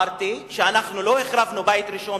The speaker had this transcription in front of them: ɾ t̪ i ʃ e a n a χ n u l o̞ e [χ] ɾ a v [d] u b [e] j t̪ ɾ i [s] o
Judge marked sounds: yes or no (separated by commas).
yes, no, no, no